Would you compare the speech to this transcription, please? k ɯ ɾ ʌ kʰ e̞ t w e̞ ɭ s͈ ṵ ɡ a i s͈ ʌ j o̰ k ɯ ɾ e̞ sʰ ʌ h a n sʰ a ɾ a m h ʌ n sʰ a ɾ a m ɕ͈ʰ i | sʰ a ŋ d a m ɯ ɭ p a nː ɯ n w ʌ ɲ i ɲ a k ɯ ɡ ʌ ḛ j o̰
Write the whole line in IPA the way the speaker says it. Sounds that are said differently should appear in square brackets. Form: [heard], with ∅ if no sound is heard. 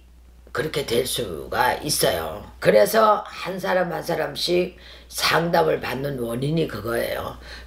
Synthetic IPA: k ɯ ɾ ʌ kʰ e̞ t w e̞ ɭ s͈ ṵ ɡ a i s͈ ʌ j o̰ k ɯ ɾ e̞ sʰ ʌ h a n sʰ a ɾ a m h [a] n sʰ a ɾ a m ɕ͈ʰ i | sʰ a ŋ d a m ɯ ɭ p a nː ɯ n w ʌ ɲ i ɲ [i] k ɯ ɡ ʌ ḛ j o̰